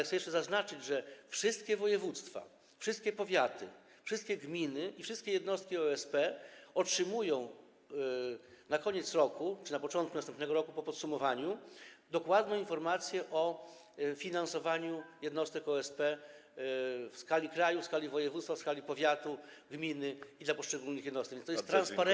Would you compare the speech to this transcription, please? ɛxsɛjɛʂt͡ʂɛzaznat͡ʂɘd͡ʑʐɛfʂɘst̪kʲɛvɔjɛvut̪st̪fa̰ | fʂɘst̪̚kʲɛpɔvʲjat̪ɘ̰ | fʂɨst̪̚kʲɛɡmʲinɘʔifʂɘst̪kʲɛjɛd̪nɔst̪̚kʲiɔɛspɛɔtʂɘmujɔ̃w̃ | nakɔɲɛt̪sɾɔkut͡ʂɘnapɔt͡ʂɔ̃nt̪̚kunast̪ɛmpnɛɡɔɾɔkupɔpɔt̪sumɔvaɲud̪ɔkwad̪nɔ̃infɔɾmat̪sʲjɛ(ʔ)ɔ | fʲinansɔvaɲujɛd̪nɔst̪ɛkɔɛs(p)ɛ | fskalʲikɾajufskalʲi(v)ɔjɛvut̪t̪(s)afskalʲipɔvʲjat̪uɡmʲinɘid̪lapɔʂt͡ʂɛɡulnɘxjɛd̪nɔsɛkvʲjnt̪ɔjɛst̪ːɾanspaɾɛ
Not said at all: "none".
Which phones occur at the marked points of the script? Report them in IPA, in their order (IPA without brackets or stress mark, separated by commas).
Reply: ʔ, p, v, f